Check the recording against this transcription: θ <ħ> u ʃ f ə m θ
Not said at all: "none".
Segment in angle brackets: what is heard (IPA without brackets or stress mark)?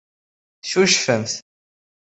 ʃ